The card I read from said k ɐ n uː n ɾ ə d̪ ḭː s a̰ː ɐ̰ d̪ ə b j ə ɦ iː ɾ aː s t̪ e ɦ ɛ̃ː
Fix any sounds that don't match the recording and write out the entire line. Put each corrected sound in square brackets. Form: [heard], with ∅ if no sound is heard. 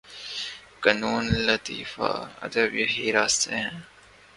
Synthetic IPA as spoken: k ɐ n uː n [l] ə [t̪] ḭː [f] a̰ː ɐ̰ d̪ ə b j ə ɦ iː ɾ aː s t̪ e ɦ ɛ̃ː

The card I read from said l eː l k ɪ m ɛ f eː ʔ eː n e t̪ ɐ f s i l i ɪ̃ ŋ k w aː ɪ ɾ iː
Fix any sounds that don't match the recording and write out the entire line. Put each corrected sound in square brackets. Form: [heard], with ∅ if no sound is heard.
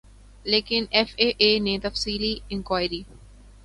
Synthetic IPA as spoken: l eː [∅] k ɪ [n] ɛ f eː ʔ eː n e t̪ ɐ f s [iː] l i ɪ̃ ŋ k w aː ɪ ɾ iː

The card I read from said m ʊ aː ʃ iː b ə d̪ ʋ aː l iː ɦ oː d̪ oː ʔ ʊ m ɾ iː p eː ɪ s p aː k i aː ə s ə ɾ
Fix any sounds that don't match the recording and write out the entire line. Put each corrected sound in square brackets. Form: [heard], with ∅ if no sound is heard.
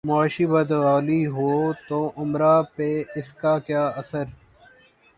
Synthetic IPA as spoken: m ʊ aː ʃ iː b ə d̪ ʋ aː l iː ɦ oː [t̪] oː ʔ ʊ m ɾ [aː] p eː ɪ s [k] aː k [j] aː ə s ə ɾ

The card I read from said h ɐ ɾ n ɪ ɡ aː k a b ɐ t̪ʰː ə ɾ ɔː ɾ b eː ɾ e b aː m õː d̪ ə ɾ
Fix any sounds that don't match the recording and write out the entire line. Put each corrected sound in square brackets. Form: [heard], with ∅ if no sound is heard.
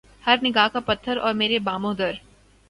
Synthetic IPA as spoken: h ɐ ɾ n ɪ ɡ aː k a [p] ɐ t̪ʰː ə ɾ ɔː ɾ [m] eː ɾ e b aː m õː d̪ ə ɾ

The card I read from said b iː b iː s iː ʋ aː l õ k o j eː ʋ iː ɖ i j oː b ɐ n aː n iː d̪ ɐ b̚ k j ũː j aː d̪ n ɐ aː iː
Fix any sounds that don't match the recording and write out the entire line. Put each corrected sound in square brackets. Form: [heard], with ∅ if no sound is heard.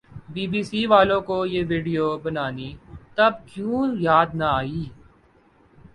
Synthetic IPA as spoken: b iː b iː s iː ʋ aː l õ k o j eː ʋ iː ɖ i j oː b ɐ n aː n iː [t̪] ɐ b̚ k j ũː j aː d̪ n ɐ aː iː

